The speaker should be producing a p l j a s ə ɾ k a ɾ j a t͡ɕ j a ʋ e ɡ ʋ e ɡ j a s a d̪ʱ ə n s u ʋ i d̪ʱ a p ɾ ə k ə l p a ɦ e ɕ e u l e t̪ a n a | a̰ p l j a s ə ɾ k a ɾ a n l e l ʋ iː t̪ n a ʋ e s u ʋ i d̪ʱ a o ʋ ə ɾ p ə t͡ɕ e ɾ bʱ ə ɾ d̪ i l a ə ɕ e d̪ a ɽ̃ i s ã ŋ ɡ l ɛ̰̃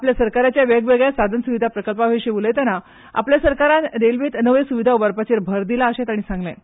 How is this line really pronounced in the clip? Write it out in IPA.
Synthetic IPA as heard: a p l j a s ə ɾ k a ɾ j a t͡ɕ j a ʋ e ɡ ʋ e ɡ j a s a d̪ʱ ə n s u ʋ i d̪ʱ a p ɾ ə k ə l p a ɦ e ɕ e u l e t̪ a n a | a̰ p l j a s ə ɾ k a ɾ a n ɾ e l ʋ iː t̪ n ə ʋ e s u ʋ i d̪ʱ a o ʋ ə ɾ p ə t͡ɕ e ɾ bʱ ə ɾ d̪ i l a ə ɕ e t̪ a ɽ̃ i s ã ŋ ɡ l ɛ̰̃